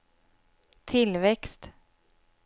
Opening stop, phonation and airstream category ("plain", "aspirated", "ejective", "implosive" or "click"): aspirated